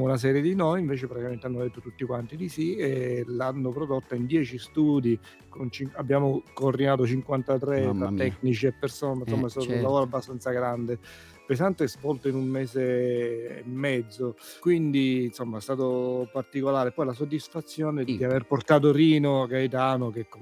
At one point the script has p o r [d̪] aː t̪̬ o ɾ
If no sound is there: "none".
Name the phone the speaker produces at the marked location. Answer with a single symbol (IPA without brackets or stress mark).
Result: t̪